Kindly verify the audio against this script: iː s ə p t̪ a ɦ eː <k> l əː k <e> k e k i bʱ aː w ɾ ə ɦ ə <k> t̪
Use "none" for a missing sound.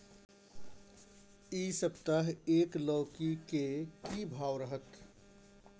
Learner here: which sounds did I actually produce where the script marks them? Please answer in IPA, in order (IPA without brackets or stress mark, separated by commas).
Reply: k, i, none